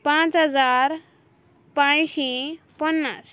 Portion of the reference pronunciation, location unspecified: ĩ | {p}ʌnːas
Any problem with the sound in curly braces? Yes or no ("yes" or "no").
no